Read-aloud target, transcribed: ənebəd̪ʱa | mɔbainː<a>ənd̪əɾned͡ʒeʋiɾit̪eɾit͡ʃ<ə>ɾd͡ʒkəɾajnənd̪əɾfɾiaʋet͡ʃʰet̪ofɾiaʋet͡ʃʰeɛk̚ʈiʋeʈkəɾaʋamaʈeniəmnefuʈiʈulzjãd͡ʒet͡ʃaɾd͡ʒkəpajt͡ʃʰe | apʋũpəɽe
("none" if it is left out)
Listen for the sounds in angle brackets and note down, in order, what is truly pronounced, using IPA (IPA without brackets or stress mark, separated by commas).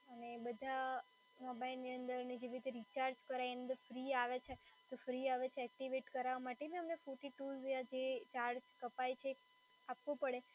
i, a